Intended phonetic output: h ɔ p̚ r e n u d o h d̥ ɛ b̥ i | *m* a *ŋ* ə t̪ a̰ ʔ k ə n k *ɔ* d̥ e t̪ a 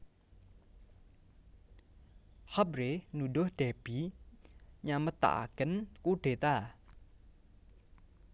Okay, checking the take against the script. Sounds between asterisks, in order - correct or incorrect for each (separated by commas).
incorrect, incorrect, incorrect